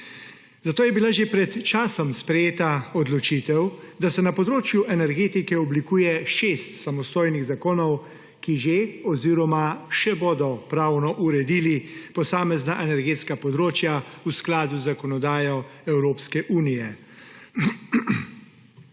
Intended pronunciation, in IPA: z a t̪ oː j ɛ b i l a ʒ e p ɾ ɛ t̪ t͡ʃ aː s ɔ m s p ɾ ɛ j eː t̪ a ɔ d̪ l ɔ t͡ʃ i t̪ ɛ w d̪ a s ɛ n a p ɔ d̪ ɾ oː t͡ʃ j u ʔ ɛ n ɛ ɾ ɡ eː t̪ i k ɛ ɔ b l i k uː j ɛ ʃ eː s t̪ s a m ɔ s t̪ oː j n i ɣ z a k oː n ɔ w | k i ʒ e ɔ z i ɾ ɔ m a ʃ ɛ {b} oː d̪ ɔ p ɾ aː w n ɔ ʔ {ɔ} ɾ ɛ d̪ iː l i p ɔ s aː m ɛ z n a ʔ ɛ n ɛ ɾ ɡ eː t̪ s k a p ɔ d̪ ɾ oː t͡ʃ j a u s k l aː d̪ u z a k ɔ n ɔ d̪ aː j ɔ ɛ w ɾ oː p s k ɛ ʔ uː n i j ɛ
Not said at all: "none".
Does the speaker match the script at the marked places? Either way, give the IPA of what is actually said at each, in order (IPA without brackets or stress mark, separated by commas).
b, u